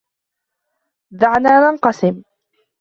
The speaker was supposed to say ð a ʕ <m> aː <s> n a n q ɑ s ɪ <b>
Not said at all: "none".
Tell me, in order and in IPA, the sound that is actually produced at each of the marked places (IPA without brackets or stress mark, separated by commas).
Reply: n, none, m